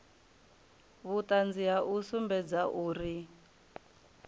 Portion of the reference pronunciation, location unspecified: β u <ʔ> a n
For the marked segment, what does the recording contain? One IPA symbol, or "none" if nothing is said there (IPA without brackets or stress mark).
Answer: t